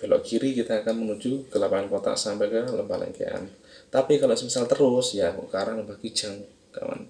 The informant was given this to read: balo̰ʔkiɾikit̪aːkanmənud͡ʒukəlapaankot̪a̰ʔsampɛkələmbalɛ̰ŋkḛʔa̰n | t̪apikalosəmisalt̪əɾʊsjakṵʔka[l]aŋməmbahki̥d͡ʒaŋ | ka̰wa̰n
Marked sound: incorrect: ɾ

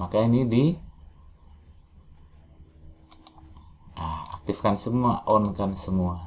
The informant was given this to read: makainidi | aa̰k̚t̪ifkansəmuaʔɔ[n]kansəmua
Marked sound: correct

